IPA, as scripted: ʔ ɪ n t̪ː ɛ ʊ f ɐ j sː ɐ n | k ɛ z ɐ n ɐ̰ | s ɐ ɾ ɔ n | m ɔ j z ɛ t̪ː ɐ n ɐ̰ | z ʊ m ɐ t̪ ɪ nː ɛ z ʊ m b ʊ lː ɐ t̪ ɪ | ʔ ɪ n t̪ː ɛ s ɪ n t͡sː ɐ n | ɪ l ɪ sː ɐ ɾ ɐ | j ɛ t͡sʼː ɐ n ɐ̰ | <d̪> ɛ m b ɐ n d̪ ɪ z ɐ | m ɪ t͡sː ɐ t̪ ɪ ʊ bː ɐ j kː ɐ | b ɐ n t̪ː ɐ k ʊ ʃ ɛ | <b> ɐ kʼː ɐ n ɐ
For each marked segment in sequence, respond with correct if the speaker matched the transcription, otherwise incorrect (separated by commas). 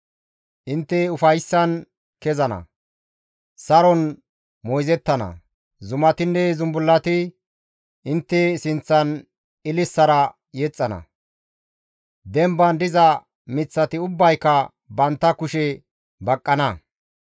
correct, correct